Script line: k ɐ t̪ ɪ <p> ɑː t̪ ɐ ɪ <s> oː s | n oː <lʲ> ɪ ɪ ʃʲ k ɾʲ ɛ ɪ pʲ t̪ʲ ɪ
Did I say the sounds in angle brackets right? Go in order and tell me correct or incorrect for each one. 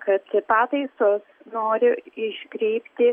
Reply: correct, correct, incorrect: ɾʲ

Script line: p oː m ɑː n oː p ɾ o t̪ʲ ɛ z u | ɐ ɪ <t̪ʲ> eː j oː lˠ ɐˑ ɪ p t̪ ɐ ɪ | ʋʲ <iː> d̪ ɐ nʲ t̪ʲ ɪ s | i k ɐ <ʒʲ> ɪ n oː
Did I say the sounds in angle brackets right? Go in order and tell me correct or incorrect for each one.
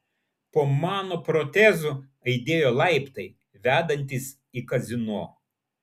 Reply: incorrect: d̪ʲ, incorrect: æː, incorrect: zʲ

